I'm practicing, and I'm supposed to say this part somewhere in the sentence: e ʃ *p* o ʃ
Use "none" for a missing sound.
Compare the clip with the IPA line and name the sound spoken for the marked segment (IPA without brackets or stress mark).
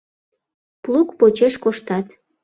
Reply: k